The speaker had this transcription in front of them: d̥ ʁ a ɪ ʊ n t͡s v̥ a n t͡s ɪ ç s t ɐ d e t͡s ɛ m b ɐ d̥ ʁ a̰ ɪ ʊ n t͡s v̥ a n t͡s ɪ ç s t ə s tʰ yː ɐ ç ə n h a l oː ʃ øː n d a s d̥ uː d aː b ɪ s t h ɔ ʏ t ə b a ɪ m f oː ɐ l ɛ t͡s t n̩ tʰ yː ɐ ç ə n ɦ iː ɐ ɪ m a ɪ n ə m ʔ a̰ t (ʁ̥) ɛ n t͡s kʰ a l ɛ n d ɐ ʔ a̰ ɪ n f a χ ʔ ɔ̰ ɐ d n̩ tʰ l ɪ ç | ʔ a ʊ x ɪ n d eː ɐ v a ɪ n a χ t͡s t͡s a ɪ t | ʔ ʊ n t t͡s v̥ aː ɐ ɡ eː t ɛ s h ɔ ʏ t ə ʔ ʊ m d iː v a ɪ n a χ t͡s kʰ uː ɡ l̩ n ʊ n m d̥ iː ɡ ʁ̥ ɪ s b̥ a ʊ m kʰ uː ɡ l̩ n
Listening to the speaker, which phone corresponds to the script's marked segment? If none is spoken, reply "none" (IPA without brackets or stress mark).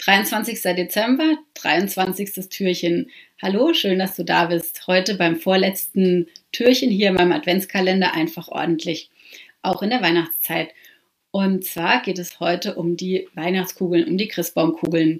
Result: v̥